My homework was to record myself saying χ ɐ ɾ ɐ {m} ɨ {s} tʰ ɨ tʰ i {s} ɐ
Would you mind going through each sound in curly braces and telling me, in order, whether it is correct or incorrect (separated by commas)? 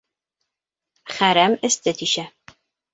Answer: correct, correct, incorrect